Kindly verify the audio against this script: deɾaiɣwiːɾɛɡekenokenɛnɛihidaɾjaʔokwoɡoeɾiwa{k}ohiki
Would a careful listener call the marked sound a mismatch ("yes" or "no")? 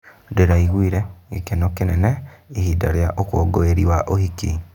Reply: yes